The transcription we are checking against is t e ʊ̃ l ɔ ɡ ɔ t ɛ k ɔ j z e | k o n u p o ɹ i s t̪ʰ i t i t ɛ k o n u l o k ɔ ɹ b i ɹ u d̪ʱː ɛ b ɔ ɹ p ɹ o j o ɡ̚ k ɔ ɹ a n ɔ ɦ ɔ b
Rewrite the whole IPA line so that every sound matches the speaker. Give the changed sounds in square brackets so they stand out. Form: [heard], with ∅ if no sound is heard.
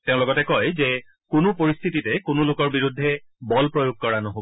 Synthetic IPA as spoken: t e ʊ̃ l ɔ ɡ ɔ t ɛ k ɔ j z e | k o n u p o ɹ i s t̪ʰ i t i t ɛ k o n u l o k ɔ ɹ b i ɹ u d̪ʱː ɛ b ɔ [l] p ɹ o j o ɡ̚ k ɔ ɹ a n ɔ ɦ [o] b